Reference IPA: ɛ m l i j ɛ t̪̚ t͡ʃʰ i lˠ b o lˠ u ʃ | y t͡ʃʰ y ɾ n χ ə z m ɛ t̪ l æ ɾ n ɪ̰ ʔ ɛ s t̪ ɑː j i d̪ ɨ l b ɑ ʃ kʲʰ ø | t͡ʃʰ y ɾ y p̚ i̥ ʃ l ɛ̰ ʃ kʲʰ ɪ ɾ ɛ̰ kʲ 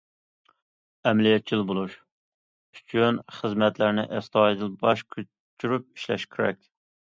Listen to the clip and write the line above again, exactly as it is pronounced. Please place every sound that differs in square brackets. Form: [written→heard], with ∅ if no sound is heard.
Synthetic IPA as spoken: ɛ m l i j ɛ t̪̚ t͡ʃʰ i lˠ b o lˠ u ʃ | y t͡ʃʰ y [ɾ→∅] n χ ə z m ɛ t̪ l æ ɾ n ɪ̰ ʔ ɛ s t̪ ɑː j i d̪ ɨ l b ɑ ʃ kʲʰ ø | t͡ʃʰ y ɾ y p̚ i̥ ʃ l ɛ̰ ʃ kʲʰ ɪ ɾ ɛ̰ kʲ